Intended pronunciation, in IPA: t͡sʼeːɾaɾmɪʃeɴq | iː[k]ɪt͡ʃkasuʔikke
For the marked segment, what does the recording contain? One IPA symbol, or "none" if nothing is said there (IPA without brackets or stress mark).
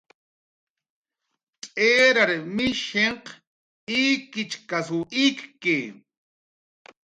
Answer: k